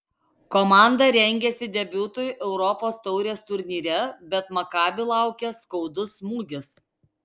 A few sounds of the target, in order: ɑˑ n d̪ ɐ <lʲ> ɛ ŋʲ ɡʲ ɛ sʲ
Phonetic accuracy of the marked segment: incorrect: ɾʲ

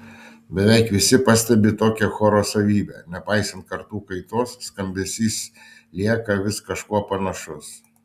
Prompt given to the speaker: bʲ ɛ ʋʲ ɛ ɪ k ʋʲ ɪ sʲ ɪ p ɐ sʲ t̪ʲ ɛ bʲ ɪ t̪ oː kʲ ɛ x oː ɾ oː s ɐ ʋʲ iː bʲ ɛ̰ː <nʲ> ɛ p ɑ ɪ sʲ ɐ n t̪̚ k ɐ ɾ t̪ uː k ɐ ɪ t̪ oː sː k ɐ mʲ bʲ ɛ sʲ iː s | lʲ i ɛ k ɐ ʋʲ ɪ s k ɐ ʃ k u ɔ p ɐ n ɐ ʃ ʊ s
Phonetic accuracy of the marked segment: correct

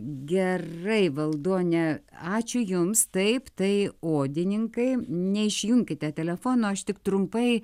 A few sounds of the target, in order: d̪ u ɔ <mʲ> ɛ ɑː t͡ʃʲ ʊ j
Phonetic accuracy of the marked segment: incorrect: nʲ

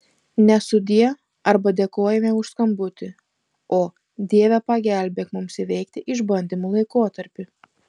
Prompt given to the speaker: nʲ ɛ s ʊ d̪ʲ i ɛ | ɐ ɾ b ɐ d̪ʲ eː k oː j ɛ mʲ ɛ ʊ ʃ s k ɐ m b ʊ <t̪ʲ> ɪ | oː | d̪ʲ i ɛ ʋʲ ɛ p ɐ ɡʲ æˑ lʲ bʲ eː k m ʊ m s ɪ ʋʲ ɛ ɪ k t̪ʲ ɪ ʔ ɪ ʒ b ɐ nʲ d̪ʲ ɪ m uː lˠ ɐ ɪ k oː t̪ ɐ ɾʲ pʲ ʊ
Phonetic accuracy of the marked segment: correct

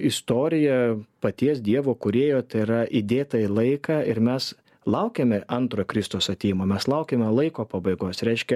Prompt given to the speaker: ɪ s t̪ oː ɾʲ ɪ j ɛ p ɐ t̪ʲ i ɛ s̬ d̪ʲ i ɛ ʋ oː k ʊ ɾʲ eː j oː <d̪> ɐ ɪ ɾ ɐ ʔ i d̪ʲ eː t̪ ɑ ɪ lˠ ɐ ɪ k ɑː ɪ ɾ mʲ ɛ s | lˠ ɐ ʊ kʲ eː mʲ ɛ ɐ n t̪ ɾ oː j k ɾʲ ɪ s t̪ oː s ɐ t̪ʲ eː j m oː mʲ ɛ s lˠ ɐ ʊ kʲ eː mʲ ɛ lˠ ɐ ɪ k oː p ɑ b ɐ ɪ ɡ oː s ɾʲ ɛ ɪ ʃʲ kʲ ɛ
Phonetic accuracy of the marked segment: incorrect: t̪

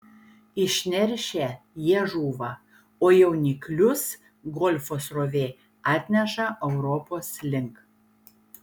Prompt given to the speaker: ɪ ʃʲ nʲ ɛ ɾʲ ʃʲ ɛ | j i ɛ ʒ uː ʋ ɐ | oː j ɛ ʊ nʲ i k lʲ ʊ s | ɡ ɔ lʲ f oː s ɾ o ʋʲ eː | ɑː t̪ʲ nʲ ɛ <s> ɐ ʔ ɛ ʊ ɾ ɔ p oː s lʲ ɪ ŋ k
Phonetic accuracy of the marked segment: incorrect: ʃ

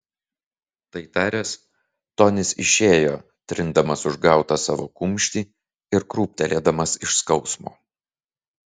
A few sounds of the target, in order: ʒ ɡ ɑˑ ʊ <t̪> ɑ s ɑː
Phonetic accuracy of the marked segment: correct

